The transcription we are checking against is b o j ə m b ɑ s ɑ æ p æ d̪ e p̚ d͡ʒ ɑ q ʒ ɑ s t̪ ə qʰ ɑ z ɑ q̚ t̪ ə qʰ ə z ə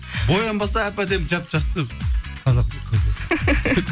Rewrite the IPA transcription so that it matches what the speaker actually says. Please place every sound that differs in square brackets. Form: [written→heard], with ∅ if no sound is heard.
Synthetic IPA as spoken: b o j [ə→ɑ] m b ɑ s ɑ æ p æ d̪ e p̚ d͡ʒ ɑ [q→p] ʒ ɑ s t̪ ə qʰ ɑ z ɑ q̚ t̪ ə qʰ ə z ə